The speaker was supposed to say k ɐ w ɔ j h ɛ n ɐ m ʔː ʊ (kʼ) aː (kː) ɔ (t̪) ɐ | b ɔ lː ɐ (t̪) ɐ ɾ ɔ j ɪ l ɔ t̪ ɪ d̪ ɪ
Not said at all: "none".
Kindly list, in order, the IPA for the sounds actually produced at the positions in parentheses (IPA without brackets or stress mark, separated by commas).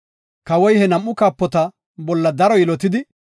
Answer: k, pː, t̪, d̪